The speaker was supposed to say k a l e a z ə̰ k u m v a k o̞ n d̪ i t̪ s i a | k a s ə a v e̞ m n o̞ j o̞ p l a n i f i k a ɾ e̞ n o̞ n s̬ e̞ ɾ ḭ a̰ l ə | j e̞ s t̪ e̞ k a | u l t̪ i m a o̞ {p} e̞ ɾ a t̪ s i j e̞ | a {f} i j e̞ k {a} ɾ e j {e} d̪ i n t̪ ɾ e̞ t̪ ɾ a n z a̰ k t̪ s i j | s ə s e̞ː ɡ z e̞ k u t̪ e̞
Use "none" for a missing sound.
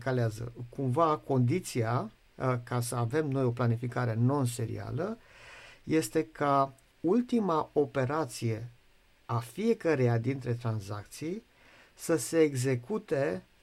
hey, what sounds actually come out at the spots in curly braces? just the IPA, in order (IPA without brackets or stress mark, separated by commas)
p, f, ə, a